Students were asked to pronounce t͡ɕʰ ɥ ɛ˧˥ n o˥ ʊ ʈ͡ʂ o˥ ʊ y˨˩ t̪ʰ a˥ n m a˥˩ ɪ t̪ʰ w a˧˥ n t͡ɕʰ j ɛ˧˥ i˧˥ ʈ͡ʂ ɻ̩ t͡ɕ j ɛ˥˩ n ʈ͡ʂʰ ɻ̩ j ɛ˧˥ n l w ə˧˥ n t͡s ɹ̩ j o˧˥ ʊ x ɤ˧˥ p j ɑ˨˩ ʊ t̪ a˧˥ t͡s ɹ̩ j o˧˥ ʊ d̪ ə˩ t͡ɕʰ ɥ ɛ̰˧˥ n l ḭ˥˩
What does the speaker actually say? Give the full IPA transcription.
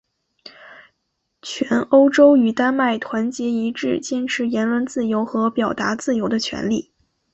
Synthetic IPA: t͡ɕʰ ɥ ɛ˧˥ n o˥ ʊ ʈ͡ʂ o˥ ʊ y˨˩ t̪ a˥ n m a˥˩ ɪ t̪ʰ w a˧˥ n t͡ɕ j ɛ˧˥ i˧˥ ʈ͡ʂ ɻ̩ t͡ɕ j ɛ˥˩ n ʈ͡ʂʰ ɻ̩ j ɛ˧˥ n l w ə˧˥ n t͡s ɹ̩ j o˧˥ ʊ x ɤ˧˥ p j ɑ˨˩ ʊ t̪ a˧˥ t͡s ɹ̩ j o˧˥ ʊ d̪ ə˧ t͡ɕʰ ɥ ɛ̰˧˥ n l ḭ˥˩